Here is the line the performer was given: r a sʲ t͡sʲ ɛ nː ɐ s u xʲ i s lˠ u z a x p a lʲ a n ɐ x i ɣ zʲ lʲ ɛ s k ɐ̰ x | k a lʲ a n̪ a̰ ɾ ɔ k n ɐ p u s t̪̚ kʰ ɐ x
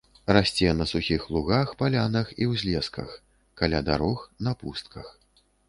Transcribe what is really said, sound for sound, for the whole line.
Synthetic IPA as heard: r a sʲ t͡sʲ ɛ n ɐ s u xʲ i x lˠ u ɣ a x p a lʲ a n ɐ x i w zʲ lʲ ɛ s k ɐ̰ x | k a lʲ a d̪ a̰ ɾ ɔ x n ɐ p u s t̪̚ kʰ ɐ x